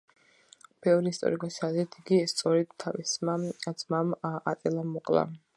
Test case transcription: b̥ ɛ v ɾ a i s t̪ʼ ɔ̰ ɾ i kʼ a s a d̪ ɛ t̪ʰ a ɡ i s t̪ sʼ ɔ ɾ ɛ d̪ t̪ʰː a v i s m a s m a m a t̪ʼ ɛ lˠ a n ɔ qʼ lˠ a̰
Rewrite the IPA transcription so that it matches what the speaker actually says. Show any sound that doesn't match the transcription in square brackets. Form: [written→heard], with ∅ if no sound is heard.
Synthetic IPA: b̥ ɛ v ɾ [a→i] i s t̪ʼ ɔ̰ ɾ i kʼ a s a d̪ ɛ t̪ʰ [a→i] ɡ i s t̪ sʼ ɔ ɾ ɛ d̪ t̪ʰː a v i s m a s m a m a t̪ʼ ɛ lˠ a [n→m] ɔ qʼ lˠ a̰